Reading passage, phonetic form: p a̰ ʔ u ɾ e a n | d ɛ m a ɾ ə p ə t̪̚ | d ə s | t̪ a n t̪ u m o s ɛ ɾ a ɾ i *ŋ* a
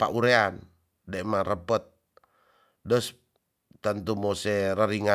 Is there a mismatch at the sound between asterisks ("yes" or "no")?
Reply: no